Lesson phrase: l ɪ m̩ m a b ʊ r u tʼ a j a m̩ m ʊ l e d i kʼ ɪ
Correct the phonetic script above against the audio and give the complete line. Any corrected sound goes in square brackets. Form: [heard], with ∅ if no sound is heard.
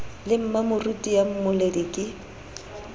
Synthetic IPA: l ɪ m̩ m a [m] ʊ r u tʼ [i] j a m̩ m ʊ l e d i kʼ ɪ